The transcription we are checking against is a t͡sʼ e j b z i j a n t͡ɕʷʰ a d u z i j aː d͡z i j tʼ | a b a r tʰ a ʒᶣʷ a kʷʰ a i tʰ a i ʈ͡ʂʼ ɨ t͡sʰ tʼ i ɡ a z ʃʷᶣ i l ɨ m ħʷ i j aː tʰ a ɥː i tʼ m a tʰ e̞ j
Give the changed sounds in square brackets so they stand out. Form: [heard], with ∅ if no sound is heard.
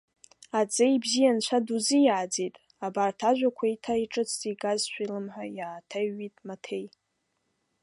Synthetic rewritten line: a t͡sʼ e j b z i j a n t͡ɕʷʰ a d u z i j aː d͡z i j tʼ | a b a r tʰ a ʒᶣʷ a kʷʰ a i tʰ a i ʈ͡ʂʼ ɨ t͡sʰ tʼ i ɡ a z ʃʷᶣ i l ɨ m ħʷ [a] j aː tʰ a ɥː i tʼ m a tʰ e̞ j